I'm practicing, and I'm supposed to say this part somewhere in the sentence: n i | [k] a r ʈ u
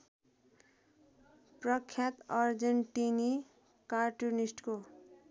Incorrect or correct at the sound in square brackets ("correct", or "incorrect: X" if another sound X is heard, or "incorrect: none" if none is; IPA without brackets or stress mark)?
correct